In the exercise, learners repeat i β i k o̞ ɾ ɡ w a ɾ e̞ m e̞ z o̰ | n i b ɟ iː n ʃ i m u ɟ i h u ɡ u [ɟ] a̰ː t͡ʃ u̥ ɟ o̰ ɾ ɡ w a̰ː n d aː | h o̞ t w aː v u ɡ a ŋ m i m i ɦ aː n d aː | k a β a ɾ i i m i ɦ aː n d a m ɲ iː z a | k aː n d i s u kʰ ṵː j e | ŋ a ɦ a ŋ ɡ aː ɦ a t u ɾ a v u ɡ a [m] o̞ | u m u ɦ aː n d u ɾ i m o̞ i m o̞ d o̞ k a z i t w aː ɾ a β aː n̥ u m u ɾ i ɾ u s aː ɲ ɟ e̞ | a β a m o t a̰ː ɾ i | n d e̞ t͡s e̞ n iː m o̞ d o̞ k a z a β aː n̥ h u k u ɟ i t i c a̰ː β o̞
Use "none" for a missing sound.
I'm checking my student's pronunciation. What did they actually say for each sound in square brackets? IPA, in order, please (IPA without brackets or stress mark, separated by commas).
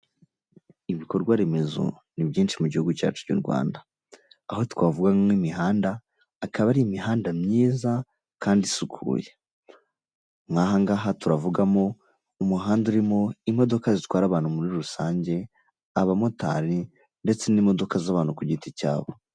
c, m